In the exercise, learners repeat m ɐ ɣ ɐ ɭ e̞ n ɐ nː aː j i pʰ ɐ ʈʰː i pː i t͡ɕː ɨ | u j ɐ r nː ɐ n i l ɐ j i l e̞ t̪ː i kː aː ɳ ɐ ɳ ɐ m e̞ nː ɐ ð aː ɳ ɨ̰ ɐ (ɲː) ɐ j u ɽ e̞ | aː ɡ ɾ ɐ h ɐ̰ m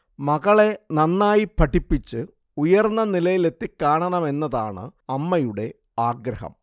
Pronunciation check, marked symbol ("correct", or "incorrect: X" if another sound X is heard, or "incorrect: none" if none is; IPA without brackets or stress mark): incorrect: mː